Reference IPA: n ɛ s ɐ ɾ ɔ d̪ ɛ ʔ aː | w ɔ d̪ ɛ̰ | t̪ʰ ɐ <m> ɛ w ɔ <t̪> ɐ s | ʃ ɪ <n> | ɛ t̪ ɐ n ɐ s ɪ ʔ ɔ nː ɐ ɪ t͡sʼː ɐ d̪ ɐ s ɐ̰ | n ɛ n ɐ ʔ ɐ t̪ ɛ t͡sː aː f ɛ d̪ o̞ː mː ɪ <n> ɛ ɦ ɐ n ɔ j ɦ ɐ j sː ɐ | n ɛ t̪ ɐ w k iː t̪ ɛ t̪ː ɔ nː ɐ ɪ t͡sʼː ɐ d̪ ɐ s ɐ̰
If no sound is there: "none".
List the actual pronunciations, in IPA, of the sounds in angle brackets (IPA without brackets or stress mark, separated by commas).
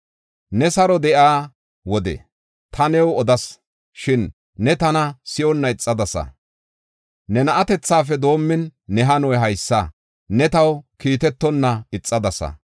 n, d̪, nː, nː